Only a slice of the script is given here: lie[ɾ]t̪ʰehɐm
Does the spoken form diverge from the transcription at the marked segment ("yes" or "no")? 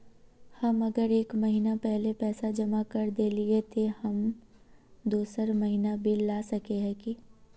yes